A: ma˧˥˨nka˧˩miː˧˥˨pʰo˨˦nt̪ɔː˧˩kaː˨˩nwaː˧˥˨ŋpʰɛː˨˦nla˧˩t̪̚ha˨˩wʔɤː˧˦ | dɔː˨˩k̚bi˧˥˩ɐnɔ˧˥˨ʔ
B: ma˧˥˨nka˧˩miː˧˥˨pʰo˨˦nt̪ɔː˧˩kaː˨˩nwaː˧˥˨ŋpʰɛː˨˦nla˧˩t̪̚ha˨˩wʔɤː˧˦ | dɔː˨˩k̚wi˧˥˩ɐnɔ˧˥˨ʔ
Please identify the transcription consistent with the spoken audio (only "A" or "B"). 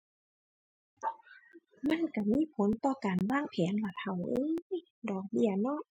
A